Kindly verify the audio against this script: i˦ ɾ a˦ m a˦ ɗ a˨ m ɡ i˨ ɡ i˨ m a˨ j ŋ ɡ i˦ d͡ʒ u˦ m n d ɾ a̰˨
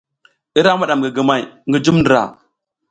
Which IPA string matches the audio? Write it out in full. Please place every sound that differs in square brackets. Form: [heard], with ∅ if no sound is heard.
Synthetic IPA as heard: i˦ ɾ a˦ m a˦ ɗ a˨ m ɡ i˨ ɡ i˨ m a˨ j ŋ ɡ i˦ d͡ʒ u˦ m n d ɾ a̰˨